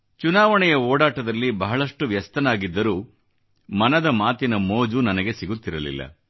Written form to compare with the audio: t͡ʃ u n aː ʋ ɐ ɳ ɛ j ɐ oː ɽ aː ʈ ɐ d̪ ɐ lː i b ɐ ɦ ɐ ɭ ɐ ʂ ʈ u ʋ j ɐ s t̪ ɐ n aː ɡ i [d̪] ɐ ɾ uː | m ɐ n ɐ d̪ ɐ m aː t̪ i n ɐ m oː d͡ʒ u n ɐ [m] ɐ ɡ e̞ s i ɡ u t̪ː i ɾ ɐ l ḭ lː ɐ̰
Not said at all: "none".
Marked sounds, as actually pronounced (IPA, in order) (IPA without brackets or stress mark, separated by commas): d̪ː, n